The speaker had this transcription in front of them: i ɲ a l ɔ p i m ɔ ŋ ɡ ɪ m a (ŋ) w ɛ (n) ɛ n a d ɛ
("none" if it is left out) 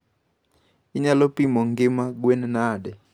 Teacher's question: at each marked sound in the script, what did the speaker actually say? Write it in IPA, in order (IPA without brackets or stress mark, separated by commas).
ɡ, n